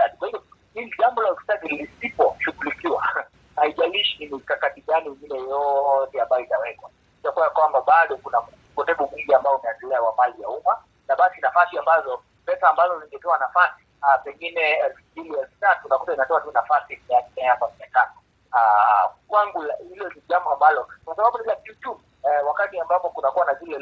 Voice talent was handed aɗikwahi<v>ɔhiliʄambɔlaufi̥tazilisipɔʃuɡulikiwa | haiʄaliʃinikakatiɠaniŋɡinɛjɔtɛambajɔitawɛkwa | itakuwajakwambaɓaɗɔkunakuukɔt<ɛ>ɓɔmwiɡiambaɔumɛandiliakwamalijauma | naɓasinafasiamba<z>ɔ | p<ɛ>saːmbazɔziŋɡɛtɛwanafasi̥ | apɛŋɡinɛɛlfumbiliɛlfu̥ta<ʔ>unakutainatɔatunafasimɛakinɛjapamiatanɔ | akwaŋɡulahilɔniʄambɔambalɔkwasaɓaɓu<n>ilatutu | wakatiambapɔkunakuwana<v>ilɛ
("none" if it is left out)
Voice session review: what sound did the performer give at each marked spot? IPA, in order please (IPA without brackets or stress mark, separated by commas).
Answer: v, ɛ, z, ɛ, t, n, z